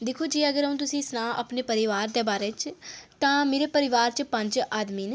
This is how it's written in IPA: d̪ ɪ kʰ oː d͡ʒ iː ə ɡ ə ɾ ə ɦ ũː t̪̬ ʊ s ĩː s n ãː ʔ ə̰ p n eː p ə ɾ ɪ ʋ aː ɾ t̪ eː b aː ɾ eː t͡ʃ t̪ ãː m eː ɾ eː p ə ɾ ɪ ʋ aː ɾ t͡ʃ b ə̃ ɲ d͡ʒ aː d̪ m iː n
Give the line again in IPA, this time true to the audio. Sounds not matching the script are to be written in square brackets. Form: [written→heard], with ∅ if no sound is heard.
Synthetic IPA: d̪ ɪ kʰ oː d͡ʒ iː ə ɡ ə ɾ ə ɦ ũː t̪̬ ʊ s ĩː s n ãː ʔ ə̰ p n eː p ə ɾ ɪ ʋ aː ɾ [t̪→d̪] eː b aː ɾ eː t͡ʃ t̪ ãː m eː ɾ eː p ə ɾ ɪ ʋ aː ɾ t͡ʃ [b→p] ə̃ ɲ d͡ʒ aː d̪ m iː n